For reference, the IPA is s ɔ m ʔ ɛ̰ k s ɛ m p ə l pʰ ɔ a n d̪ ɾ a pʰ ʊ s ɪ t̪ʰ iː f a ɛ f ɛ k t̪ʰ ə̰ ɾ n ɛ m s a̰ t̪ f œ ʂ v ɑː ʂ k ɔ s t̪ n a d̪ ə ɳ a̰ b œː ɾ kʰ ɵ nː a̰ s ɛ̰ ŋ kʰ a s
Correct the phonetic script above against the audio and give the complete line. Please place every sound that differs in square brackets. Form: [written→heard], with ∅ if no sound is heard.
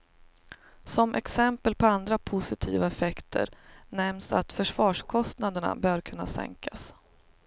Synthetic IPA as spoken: s ɔ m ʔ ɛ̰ k s ɛ m p ə l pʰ ɔ a n d̪ ɾ a pʰ ʊ s ɪ t̪ʰ iː [f→v] a ɛ f ɛ k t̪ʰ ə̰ ɾ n ɛ m s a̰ t̪ f œ ʂ v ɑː ʂ [k→kʰ] ɔ s t̪ n a d̪ ə ɳ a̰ b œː ɾ kʰ ɵ nː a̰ s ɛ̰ ŋ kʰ a s